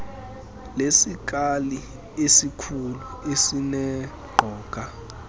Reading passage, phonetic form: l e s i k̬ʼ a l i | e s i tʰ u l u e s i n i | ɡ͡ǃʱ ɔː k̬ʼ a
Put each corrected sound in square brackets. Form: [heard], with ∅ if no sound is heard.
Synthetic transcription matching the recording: l e s i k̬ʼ a l i | e s i [kʰ] u l u e s i n [ɛ] | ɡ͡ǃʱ ɔː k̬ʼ a